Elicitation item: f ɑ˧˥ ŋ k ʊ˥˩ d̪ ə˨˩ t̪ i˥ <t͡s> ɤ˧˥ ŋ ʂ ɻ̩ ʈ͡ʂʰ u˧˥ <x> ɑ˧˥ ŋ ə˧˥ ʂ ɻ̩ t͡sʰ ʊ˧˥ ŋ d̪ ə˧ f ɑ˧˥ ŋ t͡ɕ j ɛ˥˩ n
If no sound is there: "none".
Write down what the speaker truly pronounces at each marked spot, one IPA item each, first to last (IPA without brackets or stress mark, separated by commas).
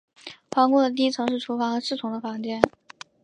t͡sʰ, f